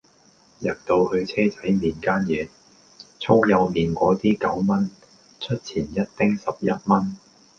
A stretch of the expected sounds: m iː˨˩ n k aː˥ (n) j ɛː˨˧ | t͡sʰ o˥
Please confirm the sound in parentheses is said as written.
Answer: yes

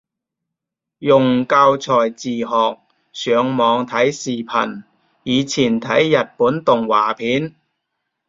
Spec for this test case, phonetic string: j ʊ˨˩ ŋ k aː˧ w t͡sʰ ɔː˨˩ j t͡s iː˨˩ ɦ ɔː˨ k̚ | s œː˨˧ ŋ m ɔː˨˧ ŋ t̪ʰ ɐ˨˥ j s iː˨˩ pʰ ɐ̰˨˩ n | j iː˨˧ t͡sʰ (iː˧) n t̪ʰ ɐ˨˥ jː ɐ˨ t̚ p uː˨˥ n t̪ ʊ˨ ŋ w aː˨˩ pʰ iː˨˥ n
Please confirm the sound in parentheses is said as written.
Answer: no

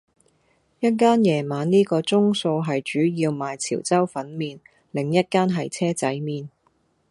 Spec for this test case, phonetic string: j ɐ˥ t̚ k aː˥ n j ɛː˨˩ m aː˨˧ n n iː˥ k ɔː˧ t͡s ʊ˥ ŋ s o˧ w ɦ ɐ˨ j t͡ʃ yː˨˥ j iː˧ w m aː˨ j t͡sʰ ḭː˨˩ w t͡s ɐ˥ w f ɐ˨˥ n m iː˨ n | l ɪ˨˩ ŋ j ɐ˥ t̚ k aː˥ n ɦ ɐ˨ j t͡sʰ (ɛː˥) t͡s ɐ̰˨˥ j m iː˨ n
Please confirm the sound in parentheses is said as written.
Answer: yes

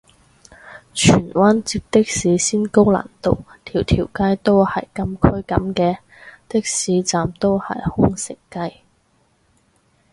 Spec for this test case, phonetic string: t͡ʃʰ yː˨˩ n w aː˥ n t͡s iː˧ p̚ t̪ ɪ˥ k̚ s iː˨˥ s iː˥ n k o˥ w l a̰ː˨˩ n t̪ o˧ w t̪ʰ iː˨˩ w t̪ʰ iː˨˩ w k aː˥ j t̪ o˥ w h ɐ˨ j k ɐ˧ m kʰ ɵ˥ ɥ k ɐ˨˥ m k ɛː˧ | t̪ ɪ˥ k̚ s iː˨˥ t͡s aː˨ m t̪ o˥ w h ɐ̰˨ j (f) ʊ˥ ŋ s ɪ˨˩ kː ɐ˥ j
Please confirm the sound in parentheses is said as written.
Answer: no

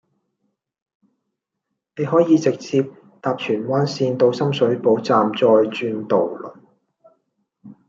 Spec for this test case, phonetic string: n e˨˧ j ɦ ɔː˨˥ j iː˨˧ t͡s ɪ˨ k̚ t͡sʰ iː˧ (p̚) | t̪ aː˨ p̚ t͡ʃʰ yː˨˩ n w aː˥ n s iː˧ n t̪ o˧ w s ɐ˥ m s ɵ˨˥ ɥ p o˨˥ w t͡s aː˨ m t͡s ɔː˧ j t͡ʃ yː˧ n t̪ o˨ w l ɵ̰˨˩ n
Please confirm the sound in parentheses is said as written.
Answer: yes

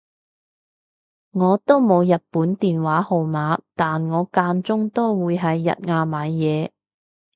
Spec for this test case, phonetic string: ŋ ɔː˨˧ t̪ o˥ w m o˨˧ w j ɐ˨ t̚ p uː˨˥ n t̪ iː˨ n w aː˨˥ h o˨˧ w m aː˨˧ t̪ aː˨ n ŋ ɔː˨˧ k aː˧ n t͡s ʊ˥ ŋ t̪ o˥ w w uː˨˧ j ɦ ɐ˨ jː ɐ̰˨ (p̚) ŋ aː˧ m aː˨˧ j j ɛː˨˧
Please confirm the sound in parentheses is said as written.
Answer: no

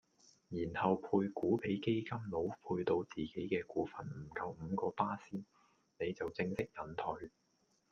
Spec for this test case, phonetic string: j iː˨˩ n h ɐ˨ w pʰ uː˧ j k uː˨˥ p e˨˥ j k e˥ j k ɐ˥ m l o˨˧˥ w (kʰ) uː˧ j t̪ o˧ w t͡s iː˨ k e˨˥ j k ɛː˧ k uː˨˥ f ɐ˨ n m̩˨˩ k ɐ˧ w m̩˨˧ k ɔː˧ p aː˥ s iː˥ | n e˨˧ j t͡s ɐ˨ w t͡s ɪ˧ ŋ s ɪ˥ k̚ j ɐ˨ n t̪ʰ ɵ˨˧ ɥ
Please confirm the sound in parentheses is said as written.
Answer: no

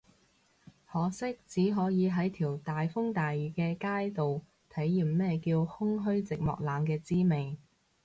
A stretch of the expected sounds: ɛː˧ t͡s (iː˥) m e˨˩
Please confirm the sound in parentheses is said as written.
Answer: yes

